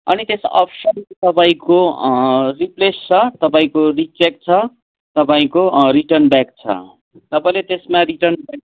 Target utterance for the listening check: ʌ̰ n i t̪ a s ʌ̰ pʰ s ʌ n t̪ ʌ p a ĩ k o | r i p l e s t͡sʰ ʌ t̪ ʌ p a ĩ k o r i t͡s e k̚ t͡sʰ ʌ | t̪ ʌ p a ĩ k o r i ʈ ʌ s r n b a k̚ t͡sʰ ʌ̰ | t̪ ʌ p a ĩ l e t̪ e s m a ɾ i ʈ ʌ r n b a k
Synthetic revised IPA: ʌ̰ n i t̪ e s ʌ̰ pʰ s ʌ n t̪ ʌ p a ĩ k o | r i p l e s t͡sʰ ʌ t̪ ʌ p a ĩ k o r i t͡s e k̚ t͡sʰ ʌ | t̪ ʌ p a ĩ k o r i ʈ ʌ r n b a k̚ t͡sʰ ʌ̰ | t̪ ʌ p a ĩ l e t̪ e s m a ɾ i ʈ ʌ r n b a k